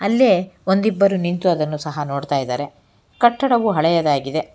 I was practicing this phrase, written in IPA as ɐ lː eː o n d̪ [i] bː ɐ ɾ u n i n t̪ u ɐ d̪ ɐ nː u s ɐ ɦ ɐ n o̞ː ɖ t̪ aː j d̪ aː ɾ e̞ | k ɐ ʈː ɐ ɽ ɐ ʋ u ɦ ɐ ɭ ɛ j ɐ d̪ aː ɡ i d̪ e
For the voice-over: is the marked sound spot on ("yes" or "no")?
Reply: yes